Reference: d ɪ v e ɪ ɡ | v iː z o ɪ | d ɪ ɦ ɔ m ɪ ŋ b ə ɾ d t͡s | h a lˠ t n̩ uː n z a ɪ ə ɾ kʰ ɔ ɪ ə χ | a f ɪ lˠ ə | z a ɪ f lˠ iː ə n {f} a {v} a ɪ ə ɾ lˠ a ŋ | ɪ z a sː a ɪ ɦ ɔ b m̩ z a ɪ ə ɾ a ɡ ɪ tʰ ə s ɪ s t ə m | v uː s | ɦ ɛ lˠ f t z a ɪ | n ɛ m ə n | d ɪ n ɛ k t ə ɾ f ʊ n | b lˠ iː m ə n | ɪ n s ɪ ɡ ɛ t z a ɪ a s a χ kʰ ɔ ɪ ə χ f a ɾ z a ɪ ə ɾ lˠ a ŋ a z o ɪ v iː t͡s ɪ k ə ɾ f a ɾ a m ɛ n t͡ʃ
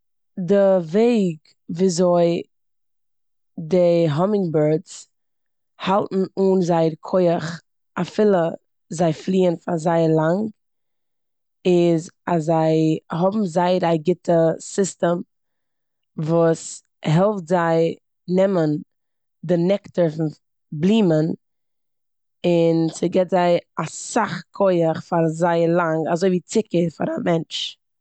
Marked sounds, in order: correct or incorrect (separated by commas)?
correct, incorrect